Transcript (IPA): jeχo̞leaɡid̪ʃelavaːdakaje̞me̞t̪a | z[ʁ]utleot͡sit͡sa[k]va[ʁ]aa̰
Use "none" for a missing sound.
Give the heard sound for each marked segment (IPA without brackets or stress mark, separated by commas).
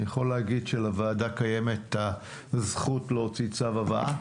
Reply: χ, none, v